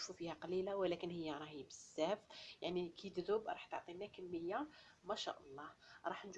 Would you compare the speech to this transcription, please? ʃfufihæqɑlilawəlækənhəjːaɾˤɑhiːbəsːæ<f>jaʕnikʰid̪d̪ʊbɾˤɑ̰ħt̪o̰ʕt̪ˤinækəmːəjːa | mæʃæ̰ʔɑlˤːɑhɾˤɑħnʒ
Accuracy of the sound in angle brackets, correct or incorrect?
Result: correct